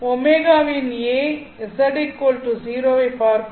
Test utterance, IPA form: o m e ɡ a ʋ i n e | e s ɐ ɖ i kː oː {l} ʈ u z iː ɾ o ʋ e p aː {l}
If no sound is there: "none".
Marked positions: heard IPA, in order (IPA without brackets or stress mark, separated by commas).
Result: l, ɾ